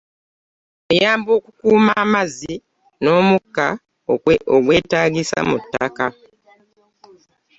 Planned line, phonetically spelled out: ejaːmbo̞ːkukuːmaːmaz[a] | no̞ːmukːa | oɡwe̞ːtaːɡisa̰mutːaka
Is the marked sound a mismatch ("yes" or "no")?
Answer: yes